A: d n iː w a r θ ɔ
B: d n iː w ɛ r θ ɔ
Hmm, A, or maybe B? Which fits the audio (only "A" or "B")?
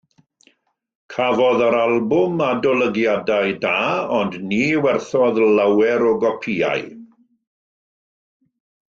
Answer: B